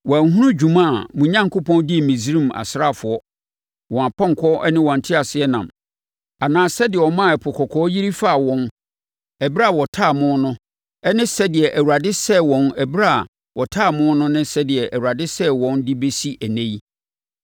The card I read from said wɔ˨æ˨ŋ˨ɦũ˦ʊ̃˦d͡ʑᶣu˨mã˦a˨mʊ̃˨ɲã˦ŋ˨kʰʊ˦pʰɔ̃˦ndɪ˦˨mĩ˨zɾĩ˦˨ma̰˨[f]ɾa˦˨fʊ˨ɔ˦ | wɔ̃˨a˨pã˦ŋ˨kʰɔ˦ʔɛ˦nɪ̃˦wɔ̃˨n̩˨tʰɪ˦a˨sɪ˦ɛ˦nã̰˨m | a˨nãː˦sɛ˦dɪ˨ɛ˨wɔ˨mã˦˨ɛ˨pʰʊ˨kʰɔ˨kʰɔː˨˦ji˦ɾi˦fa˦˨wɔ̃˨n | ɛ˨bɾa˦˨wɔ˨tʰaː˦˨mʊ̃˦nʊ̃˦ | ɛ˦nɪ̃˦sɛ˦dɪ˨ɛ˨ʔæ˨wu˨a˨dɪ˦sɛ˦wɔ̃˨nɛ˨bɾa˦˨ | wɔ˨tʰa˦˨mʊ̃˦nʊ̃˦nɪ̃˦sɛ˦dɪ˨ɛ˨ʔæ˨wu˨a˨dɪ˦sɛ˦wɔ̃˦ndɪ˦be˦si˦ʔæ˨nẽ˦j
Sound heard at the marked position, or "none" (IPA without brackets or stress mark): s